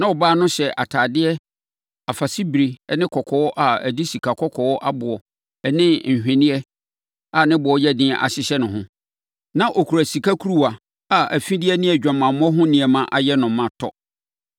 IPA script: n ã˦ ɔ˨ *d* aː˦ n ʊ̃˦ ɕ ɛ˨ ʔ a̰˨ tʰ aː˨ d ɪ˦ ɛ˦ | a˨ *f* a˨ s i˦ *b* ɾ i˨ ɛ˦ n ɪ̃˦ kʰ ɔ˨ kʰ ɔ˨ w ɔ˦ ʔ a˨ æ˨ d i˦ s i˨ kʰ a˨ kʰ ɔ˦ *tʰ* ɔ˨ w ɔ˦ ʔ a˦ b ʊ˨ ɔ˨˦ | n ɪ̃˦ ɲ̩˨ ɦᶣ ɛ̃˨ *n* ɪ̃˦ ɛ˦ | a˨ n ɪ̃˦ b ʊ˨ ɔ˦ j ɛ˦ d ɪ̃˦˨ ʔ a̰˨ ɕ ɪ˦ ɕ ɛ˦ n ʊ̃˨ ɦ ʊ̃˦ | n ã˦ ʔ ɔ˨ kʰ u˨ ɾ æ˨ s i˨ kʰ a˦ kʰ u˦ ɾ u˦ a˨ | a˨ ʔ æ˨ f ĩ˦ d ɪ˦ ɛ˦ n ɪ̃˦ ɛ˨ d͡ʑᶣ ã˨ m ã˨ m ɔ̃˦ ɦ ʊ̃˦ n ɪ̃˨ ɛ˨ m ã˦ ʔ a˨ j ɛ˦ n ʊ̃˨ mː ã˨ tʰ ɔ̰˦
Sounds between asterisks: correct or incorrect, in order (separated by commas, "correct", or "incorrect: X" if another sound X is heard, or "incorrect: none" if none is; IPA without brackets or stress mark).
incorrect: b, correct, correct, incorrect: kʰ, correct